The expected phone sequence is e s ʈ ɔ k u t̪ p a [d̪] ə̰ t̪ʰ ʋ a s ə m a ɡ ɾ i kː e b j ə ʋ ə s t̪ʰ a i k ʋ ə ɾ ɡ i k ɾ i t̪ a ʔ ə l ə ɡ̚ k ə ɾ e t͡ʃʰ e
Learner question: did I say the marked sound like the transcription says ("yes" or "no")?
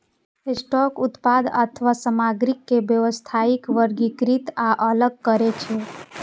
yes